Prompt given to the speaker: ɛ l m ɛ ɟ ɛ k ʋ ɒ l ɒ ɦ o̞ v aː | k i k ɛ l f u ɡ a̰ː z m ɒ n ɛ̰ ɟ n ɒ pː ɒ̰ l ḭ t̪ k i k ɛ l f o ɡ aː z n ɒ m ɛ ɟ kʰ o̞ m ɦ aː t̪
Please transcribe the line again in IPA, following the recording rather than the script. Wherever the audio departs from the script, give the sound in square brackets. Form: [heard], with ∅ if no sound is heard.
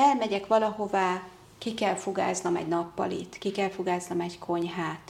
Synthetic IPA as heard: ɛ l m ɛ ɟ ɛ k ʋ ɒ l ɒ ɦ o̞ v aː | k i k ɛ l f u ɡ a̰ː z [n] ɒ [m] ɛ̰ ɟ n ɒ pː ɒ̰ l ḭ t̪ k i k ɛ l f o ɡ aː z n ɒ m ɛ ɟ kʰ o̞ [ɲ] ɦ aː t̪